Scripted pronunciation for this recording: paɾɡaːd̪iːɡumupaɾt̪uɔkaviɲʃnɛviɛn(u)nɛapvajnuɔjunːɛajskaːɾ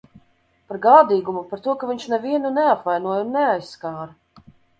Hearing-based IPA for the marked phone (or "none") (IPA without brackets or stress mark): u